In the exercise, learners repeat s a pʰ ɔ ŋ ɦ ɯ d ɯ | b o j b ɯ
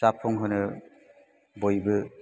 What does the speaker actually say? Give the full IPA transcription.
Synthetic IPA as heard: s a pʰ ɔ ŋ ɦ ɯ n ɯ | b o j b ɯ